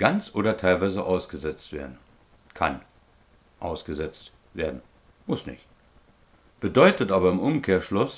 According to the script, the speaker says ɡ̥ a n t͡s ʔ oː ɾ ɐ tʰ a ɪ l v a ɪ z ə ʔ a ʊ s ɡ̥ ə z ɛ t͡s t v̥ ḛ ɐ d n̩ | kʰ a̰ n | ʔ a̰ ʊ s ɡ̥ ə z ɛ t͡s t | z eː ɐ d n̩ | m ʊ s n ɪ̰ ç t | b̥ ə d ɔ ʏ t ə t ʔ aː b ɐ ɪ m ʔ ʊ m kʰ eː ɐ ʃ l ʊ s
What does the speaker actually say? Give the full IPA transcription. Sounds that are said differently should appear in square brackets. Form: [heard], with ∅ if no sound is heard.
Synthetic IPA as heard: ɡ̥ a n t͡s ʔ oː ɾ ɐ tʰ a ɪ l v a ɪ z ə ʔ a ʊ s ɡ̥ ə z ɛ t͡s t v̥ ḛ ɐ d n̩ | kʰ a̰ n | ʔ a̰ ʊ s ɡ̥ ə z ɛ t͡s t | [v] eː ɐ d n̩ | m ʊ s n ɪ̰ ç t | b̥ ə d ɔ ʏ t ə t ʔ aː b ɐ ɪ m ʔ ʊ m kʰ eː ɐ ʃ l ʊ s